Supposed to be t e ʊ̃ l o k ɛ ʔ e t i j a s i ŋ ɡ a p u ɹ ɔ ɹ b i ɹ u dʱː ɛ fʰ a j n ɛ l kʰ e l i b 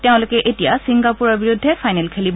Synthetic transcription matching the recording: t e ʊ̃ l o k ɛ ʔ e t i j a s i ŋ ɡ a p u ɹ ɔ ɹ b i ɹ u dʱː ɛ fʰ a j n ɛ l kʰ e l i b